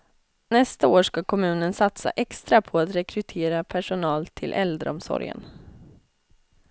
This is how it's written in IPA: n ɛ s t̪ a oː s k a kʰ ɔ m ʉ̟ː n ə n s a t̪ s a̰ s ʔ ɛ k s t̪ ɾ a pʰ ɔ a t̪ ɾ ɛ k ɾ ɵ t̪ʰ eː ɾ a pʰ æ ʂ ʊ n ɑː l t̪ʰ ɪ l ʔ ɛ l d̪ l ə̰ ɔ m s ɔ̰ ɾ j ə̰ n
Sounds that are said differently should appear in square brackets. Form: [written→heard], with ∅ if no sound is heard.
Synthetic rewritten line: n ɛ s t̪ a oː [s→ʂ] k a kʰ ɔ m ʉ̟ː n ə n s a t̪ s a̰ [s→∅] ʔ ɛ k s t̪ ɾ a pʰ ɔ a t̪ ɾ ɛ k ɾ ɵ t̪ʰ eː ɾ a pʰ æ ʂ ʊ n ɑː l t̪ʰ ɪ l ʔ ɛ l d̪ [l→ɾ] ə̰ ɔ m s ɔ̰ ɾ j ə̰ n